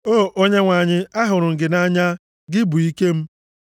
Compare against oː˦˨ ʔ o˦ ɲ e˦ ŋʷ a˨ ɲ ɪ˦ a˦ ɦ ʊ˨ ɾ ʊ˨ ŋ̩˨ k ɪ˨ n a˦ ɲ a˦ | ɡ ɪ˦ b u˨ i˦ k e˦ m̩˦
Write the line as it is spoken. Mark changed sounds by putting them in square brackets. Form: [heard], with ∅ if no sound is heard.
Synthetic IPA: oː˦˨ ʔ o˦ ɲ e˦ ŋʷ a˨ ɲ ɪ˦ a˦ ɦ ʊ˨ ɾ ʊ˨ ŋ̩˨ [ɡ] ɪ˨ n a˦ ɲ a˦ | ɡ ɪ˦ b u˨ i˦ k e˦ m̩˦

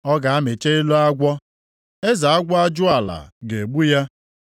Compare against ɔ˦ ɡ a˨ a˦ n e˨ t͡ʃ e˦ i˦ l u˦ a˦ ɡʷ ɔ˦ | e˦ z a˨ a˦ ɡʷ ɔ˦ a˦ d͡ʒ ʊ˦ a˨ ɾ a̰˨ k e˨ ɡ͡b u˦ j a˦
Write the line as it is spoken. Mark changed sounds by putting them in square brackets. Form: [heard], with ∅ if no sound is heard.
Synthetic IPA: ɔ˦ ɡ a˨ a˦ [m] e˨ t͡ʃ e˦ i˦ l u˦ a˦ ɡʷ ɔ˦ | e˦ z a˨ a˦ ɡʷ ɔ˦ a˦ d͡ʒ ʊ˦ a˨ [l] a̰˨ [ɡ] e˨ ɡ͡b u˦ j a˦

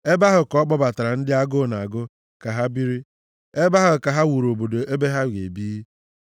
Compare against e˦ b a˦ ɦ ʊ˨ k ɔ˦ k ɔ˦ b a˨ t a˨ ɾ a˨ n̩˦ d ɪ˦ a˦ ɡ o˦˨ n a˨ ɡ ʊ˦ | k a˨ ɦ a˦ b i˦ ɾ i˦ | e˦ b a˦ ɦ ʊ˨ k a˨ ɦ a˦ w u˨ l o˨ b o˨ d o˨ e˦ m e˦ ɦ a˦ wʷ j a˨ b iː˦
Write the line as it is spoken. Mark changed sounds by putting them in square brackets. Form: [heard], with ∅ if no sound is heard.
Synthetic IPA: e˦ b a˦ ɦ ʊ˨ k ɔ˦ [k͡p] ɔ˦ b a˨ t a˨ ɾ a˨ n̩˦ d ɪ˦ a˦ ɡ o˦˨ n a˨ ɡ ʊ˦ | k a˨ ɦ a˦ b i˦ ɾ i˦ | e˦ b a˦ ɦ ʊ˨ k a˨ ɦ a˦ w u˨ [ɾ] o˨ b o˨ d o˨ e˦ [b] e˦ ɦ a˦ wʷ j [e˨] b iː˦

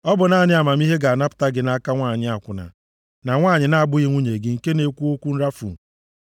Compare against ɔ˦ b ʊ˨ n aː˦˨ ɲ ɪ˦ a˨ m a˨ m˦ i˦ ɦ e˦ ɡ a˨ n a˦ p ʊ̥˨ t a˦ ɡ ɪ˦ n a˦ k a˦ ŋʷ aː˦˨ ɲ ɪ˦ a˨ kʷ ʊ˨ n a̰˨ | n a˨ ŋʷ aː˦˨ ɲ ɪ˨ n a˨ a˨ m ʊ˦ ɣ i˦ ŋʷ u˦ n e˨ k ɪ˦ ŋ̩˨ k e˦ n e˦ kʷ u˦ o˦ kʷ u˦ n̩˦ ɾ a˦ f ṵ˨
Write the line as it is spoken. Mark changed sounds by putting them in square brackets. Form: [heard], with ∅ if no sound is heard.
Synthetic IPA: ɔ˦ b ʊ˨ n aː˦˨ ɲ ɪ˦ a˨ m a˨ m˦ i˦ ɦ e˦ ɡ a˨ n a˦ p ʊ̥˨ t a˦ ɡ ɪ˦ n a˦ k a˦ ŋʷ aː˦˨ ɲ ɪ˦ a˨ kʷ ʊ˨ n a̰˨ | n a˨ ŋʷ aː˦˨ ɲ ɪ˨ n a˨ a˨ [b] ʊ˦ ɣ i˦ ŋʷ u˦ [ɲ] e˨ [ɡ] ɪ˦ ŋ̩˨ k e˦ n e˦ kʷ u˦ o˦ kʷ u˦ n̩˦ ɾ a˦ f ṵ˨

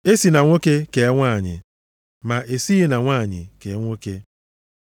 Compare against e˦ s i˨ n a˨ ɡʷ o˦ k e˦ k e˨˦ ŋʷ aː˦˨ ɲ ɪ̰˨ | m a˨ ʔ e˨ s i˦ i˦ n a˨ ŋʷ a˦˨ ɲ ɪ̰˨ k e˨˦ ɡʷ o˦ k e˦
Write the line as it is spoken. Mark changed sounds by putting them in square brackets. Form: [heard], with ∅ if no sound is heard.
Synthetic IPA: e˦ s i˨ n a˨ [ŋʷ] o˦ k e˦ k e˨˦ ŋʷ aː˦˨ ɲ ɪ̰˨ | m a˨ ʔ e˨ s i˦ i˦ n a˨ ŋʷ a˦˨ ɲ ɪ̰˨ k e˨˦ [ŋʷ] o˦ k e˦

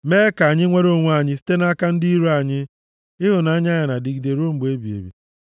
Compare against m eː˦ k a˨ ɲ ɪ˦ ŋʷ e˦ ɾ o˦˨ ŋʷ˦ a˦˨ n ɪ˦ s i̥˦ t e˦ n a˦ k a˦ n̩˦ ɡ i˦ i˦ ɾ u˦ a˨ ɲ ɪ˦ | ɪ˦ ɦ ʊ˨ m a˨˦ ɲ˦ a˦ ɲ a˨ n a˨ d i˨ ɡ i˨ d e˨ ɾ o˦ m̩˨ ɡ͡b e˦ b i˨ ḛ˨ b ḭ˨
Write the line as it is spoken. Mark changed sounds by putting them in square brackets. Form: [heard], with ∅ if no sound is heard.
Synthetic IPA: m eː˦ k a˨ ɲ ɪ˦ ŋʷ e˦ ɾ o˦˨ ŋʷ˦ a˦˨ [ɲ] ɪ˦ s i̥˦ t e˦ n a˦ k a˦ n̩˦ [d] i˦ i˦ ɾ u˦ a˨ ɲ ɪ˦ | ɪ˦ ɦ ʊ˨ [n] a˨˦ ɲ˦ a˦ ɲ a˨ n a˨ d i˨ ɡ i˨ d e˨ ɾ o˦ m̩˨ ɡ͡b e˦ b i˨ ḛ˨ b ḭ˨

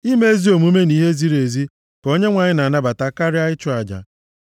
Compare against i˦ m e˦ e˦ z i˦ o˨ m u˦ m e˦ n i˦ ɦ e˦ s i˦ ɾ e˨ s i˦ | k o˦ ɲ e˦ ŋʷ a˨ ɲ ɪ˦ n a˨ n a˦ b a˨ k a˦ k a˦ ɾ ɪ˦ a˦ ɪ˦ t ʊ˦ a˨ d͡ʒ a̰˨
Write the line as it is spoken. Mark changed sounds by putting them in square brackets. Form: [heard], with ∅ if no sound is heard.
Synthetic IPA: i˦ m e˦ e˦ z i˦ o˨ m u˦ m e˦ n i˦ ɦ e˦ [z] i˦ ɾ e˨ [z] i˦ | k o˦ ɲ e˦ ŋʷ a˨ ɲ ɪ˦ n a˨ n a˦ b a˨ [t] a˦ k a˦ ɾ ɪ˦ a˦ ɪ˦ [t͡ʃ] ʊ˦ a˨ d͡ʒ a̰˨

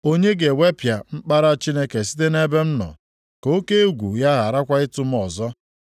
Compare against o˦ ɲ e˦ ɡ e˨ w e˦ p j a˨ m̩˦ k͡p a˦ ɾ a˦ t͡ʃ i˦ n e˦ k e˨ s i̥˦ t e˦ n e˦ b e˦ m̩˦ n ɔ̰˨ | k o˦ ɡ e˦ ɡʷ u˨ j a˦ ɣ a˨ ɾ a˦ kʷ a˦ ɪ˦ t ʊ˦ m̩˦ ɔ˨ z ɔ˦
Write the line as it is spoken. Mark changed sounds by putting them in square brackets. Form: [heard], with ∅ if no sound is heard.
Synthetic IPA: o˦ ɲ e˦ ɡ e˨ w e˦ p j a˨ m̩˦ k͡p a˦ ɾ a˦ t͡ʃ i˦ n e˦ k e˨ s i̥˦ t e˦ n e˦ b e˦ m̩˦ n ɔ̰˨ | k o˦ [k] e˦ ɡʷ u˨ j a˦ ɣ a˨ ɾ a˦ kʷ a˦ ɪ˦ t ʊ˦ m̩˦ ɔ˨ z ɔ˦

